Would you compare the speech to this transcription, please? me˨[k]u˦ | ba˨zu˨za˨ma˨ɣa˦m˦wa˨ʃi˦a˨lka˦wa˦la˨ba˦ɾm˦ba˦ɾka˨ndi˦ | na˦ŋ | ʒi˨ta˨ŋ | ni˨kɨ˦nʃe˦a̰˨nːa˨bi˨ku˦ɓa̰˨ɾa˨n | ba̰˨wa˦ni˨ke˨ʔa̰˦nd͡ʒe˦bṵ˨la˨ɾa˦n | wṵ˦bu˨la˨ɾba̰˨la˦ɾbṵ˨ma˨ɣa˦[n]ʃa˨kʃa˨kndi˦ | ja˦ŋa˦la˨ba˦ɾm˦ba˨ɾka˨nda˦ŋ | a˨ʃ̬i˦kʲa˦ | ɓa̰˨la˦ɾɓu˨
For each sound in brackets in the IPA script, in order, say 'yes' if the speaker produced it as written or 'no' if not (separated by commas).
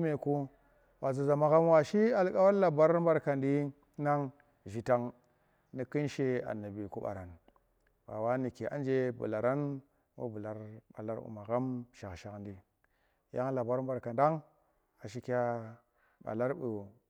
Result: yes, no